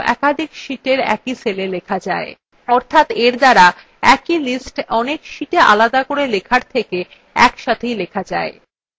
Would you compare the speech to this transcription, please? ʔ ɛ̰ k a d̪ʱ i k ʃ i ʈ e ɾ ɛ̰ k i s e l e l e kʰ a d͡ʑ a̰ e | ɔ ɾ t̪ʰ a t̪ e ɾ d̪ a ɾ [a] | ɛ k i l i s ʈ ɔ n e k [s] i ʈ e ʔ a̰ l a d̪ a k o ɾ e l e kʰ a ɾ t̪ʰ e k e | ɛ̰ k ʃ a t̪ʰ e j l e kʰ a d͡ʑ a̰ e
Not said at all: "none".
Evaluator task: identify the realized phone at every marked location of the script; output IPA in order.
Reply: a, ʃ

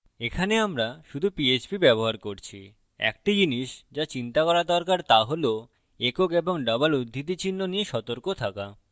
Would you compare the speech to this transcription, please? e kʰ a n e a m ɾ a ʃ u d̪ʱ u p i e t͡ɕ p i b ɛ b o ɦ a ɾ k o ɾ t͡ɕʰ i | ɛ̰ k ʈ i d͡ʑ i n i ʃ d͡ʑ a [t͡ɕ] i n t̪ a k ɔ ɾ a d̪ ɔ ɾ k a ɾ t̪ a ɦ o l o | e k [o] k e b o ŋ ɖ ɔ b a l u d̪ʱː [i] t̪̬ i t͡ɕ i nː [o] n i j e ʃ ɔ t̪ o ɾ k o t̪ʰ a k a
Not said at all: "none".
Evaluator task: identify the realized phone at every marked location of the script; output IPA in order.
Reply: t͡ɕ, o, i, o

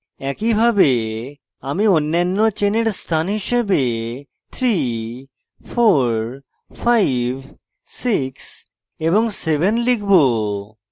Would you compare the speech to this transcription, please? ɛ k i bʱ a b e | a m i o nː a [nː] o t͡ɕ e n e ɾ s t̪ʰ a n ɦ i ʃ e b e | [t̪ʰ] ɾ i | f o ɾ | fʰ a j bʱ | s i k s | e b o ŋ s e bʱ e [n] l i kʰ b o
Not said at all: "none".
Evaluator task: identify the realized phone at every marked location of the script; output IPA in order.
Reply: nː, t̪ʰ, n

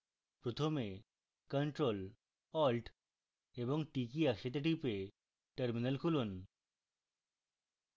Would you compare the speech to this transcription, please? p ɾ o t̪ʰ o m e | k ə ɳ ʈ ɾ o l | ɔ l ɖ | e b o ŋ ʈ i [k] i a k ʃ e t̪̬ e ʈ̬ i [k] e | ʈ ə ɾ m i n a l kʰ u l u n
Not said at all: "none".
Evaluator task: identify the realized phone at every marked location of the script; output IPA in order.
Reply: k, p

